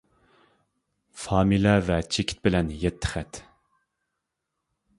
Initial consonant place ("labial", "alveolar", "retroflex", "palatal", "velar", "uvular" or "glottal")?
labial